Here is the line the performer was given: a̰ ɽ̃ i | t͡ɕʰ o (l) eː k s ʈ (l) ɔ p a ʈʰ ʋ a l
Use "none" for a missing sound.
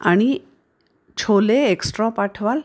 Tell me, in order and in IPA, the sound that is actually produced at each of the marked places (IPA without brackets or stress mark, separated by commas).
l, ɾ